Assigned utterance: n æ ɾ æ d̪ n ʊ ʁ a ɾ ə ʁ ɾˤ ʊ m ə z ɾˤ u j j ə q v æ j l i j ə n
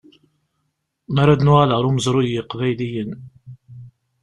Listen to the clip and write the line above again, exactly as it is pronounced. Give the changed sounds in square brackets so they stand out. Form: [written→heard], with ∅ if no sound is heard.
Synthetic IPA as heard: [n→m] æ ɾ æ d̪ n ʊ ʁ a [ɾ→l] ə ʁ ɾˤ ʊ m ə z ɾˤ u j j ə q v æ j l i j ə n